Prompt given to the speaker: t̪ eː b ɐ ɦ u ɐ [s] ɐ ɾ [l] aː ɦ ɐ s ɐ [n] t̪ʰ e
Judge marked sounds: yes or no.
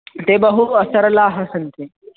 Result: yes, yes, yes

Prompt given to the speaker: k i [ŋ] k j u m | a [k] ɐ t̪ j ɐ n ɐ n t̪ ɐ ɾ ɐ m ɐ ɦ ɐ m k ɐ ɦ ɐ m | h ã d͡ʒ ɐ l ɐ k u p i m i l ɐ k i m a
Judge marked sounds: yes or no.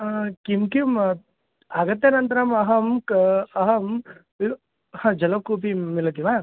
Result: no, no

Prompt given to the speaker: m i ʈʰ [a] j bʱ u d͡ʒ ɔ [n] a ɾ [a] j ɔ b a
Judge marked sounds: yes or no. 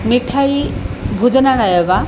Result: yes, yes, yes

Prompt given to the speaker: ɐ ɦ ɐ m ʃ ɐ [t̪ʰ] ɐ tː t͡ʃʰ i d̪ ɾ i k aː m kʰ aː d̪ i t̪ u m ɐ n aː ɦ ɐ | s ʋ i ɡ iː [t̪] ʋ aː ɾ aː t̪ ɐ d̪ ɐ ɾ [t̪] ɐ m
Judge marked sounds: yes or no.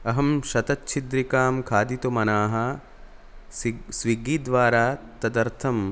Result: no, no, no

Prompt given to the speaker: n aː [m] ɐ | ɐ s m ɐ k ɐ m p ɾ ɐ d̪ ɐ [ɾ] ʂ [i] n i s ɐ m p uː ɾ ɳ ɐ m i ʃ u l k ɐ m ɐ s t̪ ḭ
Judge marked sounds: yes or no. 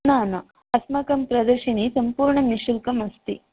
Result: no, yes, yes

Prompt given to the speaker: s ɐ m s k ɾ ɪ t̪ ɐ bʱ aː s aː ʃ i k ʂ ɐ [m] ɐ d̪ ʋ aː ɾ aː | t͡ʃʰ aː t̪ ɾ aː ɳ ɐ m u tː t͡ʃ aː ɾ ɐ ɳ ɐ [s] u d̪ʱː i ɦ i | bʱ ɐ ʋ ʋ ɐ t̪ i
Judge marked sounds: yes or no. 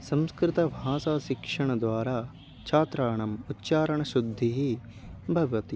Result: no, no

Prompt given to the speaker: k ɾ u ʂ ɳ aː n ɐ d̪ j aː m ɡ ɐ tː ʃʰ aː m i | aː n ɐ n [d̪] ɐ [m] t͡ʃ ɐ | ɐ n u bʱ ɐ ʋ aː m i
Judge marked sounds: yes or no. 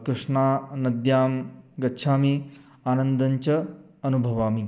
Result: yes, no

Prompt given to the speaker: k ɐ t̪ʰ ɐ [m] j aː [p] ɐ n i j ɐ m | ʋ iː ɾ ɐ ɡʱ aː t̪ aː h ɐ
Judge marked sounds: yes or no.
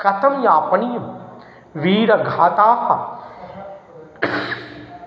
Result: yes, yes

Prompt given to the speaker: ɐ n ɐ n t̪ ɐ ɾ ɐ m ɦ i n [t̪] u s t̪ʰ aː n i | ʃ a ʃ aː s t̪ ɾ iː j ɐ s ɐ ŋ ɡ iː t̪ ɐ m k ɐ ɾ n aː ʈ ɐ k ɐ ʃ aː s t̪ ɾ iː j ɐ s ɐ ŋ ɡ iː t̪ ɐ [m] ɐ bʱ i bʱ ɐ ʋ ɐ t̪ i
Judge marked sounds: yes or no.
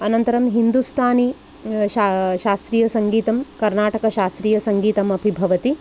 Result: no, yes

